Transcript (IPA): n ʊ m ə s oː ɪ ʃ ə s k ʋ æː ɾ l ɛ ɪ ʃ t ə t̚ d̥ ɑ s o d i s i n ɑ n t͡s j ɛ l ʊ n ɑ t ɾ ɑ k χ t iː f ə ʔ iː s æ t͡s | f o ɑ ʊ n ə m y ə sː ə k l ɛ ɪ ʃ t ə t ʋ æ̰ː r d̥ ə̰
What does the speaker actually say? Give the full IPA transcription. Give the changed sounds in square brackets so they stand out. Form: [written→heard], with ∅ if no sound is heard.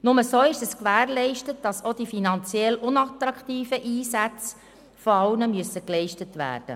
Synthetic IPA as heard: n ʊ m ə s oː ɪ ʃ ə s k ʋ æː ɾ l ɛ ɪ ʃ t ə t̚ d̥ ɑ s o d i [s→f] i n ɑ n t͡s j ɛ l ʊ n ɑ t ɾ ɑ k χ t iː f ə ʔ iː s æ t͡s | f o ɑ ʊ n ə m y ə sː ə k l ɛ ɪ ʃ t ə t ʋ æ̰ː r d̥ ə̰